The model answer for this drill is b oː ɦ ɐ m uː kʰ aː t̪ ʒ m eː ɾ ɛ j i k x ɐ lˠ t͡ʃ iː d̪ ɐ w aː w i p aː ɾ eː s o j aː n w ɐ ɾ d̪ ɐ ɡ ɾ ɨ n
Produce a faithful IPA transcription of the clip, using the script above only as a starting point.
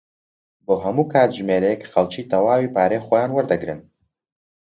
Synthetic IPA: b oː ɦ ɐ m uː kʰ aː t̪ ʒ m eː ɾ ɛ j ɛ k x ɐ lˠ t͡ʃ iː t̪ ɐ w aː w i p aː ɾ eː x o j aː n w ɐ ɾ d̪ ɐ ɡ ɾ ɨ n

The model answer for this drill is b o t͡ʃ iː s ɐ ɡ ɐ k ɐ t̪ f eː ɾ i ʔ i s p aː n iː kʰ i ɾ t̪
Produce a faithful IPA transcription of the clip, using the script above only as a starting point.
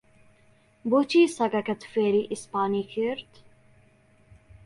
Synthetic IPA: b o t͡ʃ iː s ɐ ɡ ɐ k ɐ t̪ f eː ɾ i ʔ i s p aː n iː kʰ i ɾ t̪

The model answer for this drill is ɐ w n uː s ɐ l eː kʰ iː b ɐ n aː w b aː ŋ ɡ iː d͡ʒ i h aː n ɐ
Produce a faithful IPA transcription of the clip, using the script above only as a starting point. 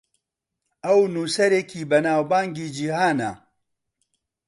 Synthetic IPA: ɐ w n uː s ɐ ɾ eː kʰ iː b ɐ n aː w b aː ŋ ɡ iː d͡ʒ i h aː n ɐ

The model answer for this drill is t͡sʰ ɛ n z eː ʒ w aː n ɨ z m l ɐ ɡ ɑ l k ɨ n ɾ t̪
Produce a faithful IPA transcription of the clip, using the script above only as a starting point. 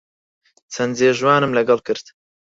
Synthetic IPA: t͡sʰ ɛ n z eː ʒ w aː n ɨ m l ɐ ɡ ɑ l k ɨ ɾ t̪

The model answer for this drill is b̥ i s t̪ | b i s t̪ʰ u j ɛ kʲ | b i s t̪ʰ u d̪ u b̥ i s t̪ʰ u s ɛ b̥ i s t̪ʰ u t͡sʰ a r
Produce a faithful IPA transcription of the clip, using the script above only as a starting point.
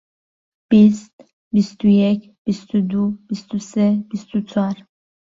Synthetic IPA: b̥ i s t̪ | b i s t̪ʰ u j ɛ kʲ | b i s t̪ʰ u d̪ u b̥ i s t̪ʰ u s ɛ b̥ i s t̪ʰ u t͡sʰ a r

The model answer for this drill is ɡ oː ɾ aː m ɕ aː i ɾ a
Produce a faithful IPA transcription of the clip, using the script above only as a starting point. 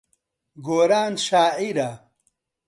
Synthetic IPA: ɡ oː ɾ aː n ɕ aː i ɾ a

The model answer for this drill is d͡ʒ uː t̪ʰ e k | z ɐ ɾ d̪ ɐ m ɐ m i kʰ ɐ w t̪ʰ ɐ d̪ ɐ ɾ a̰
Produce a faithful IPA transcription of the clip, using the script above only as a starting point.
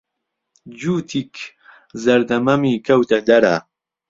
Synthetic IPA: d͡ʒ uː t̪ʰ i k | z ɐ ɾ d̪ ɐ m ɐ m i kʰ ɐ w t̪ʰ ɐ d̪ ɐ ɾ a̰

